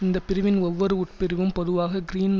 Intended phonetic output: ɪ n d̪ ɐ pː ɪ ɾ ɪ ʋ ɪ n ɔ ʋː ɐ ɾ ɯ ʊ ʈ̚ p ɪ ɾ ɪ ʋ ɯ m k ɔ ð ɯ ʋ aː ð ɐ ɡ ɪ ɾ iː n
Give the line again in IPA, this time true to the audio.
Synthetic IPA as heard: ɪ n d̪ ɐ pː ɪ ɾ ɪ ʋ ɪ n ɔ ʋː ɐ ɾ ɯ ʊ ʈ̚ p ɪ ɾ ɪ ʋ ɯ m p ɔ ð ɯ ʋ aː ɣ ɐ ɡ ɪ ɾ iː n

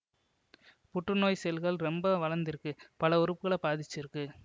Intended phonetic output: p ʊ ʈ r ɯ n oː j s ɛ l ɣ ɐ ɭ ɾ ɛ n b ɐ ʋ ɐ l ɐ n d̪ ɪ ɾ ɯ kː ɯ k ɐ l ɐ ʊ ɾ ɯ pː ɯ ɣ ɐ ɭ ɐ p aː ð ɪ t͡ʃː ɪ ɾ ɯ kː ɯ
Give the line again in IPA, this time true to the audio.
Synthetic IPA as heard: p ʊ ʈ r ɯ n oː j s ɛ l ɣ ɐ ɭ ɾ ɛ m b ɐ ʋ ɐ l ɐ n d̪ ɪ ɾ ɯ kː ɯ p ɐ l ɐ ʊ ɾ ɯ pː ɯ ɣ ɐ ɭ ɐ p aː ð ɪ t͡ʃː ɪ ɾ ɯ kː ɯ

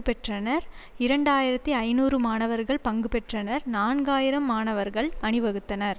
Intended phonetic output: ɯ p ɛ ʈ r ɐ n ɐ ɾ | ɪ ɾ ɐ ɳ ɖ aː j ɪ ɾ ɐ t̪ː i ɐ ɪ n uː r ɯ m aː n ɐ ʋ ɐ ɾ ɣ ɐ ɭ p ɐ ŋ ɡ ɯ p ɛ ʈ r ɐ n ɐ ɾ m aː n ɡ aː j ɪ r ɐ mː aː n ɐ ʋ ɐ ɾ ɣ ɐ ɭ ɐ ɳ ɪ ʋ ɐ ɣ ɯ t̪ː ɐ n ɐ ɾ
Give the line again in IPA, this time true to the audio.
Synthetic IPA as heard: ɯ p ɛ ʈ r ɐ n ɐ ɾ | ɪ ɾ ɐ ɳ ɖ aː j ɪ ɾ ɐ t̪ː i ɐ ɪ n uː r ɯ m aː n ɐ ʋ ɐ ɾ ɣ ɐ ɭ p ɐ ŋ ɡ ɯ p ɛ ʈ r ɐ n ɐ ɾ n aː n ɡ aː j ɪ ɾ ɐ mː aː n ɐ ʋ ɐ ɾ ɣ ɐ ɭ ɐ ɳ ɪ ʋ ɐ ɣ ɯ t̪ː ɐ n ɐ ɾ

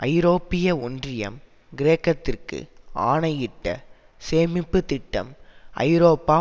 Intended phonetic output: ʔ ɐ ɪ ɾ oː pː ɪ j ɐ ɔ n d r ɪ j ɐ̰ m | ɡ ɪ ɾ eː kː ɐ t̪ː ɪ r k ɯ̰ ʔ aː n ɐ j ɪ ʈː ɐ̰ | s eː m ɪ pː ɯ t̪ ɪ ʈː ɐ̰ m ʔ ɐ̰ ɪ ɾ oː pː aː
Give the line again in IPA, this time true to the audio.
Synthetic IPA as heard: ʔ ɐ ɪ ɾ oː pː ɪ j ɐ ɔ n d r ɪ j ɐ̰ m | ɡ ɪ ɾ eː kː ɐ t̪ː ɪ r k ɯ̰ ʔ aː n ɐ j ɪ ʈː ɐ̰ | s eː m ɪ pː ɯ t̪ ɪ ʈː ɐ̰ m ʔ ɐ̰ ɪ ɾ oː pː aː

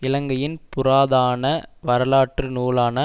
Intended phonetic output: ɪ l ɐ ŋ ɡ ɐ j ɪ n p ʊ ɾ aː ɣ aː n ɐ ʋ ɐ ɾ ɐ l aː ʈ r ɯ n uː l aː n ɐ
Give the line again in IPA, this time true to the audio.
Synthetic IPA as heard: ɪ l ɐ ŋ ɡ ɐ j ɪ n p ʊ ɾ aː ð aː n ɐ ʋ ɐ ɾ ɐ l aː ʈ r ɯ n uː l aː n ɐ

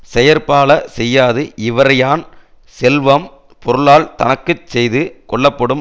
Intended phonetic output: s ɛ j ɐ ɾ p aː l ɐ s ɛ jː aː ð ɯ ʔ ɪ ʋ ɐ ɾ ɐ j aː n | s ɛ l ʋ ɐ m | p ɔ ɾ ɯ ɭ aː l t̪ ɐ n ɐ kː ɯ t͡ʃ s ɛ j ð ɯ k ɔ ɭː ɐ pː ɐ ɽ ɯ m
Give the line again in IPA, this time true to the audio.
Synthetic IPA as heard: s ɛ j ɐ ɾ p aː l ɐ s ɛ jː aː ð ɯ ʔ ɪ ʋ ɐ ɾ ɐ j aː n | s ɛ l ʋ ɐ m | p ɔ ɾ ɯ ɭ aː l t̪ ɐ n ɐ kː ɯ t͡ʃ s ɛ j ð ɯ k ɔ ɭː ɐ pː ɐ ɽ ɯ m

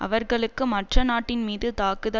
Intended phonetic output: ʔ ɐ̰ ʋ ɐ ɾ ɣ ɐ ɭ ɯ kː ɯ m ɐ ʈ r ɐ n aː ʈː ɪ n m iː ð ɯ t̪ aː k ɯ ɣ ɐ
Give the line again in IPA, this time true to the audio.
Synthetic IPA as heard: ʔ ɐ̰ ʋ ɐ ɾ ɣ ɐ ɭ ɯ kː ɯ m ɐ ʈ r ɐ n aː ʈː ɪ n m iː ð ɯ t̪ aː k ɯ ð ɐ

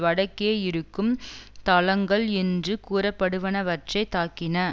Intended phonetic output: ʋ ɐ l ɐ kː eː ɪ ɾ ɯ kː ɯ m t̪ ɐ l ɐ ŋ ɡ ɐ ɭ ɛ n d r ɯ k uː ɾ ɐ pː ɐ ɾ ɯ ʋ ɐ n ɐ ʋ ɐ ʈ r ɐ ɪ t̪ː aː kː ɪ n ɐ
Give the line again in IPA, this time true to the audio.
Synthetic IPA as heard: ʋ ɐ ɽ ɐ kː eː ɪ ɾ ɯ kː ɯ m t̪ ɐ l ɐ ŋ ɡ ɐ ɭ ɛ n d r ɯ k uː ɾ ɐ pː ɐ ɽ ɯ ʋ ɐ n ɐ ʋ ɐ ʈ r ɐ ɪ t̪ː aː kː ɪ n ɐ

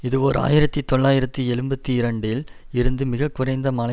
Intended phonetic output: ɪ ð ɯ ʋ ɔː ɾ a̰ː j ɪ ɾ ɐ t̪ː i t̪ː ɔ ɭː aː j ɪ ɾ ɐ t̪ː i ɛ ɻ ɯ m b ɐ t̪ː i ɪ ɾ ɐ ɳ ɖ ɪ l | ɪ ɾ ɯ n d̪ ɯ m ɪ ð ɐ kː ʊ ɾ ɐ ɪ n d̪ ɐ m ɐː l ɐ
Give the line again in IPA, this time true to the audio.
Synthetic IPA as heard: ɪ ð ɯ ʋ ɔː ɾ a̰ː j ɪ ɾ ɐ t̪ː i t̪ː ɔ ɭː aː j ɪ ɾ ɐ t̪ː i ɛ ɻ ɯ m b ɐ t̪ː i ɪ ɾ ɐ ɳ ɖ ɪ l | ɪ ɾ ɯ n d̪ ɯ m ɪ ɣ ɐ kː ʊ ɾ ɐ ɪ n d̪ ɐ m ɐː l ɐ

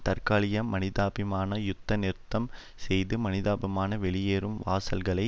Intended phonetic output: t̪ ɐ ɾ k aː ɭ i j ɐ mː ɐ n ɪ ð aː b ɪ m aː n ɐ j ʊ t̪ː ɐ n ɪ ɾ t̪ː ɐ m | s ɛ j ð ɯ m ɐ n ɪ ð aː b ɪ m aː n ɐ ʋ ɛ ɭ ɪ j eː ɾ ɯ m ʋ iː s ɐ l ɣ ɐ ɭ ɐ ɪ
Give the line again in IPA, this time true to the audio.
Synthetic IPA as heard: t̪ ɐ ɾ k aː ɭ ɪ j ɐ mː ɐ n ɪ ð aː b ɪ m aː n ɐ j ʊ t̪ː ɐ n ɪ ɾ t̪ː ɐ m | s ɛ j ð ɯ m ɐ n ɪ ð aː b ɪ m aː n ɐ ʋ ɛ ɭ ɪ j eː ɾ ɯ m ʋ aː s ɐ l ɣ ɐ ɭ ɐ ɪ

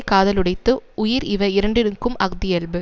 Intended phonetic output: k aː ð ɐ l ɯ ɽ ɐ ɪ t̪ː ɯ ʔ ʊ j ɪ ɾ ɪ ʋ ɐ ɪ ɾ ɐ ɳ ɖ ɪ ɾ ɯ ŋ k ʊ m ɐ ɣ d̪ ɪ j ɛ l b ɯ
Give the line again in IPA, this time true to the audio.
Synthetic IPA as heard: k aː ð ɐ l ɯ ɽ ɐ ɪ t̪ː ɯ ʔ ʊ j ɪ ɾ ɪ ʋ ɐ ɪ ɾ ɐ ɳ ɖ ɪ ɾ ɯ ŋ k ɯ m ɐ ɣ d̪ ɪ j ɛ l b ɯ

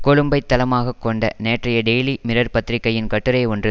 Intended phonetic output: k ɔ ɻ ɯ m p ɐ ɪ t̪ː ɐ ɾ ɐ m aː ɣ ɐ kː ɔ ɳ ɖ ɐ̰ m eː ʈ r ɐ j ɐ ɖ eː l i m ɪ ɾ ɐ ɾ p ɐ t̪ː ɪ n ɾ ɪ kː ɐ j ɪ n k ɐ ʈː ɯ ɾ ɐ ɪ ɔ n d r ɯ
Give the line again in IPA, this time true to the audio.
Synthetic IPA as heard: k ɔ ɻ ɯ m b ɐ ɪ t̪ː ɐ l ɐ m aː ɣ ɐ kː ɔ ɳ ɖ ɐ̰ n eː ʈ r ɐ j ɐ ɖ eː l i m ɪ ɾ ɐ ɾ p ɐ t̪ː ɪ ɾ ɪ kː ɐ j ɪ n k ɐ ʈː ɯ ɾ ɐ ɪ ɔ n d r ɯ

